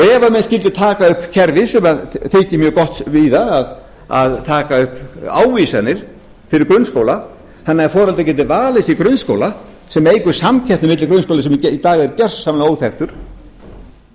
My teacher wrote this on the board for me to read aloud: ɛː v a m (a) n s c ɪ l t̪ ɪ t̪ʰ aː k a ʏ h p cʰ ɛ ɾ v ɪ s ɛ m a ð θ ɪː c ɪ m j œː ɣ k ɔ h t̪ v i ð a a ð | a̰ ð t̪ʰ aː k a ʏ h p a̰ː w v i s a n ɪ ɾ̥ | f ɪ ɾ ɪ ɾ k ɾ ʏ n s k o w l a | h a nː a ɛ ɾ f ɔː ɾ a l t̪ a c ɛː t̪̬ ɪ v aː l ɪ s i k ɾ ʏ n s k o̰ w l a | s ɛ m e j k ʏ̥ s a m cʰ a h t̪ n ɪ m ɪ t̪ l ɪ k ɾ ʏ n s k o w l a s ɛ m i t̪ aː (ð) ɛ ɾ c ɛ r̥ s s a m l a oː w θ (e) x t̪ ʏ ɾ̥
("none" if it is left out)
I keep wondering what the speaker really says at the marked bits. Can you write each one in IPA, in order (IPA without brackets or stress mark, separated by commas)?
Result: ɛ, ɣ, ɛ